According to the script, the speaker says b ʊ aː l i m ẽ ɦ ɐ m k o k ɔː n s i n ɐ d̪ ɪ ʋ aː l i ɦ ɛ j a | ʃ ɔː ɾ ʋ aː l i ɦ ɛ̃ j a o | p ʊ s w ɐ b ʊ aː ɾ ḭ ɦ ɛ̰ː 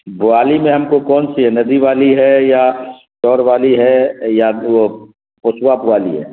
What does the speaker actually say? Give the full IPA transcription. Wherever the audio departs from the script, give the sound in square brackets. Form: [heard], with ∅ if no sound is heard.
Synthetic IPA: b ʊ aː l i m ẽ ɦ ɐ m k o k ɔː n s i n ɐ d̪ [i] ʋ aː l i ɦ ɛ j a | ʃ ɔː ɾ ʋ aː l i ɦ [ɛ] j a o | p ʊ s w [a] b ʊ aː [l] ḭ ɦ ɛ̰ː